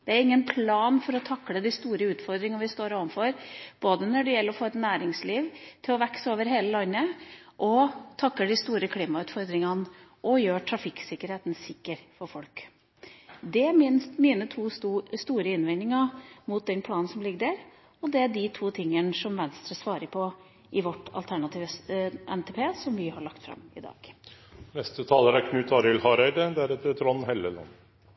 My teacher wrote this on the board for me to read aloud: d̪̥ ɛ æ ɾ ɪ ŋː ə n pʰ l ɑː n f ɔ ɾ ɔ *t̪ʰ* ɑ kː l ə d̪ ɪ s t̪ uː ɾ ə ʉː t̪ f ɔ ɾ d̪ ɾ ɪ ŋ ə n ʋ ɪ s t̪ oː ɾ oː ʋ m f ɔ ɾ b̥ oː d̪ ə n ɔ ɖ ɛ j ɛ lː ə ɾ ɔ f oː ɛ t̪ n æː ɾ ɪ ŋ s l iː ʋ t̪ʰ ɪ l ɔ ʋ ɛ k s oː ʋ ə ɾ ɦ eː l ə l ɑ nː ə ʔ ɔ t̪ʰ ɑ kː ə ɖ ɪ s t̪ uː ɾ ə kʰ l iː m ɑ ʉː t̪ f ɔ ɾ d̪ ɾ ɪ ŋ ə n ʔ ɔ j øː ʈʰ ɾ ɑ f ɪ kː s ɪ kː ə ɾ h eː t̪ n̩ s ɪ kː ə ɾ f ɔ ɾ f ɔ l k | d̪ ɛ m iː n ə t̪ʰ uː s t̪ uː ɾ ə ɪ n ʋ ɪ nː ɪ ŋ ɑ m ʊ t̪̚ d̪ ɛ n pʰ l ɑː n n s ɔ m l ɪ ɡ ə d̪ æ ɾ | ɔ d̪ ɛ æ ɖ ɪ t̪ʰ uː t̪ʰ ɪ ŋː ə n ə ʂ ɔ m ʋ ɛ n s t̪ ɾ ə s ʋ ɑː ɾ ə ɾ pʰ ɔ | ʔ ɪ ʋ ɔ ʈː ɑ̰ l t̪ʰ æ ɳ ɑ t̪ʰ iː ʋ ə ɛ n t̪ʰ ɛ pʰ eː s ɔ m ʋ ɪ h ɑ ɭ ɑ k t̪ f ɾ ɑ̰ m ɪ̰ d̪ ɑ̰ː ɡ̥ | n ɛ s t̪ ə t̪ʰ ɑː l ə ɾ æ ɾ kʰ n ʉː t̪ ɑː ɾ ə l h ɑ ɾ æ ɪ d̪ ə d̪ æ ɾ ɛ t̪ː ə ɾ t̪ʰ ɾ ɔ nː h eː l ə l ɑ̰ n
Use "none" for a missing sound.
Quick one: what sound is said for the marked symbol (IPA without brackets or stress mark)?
t̪ʰ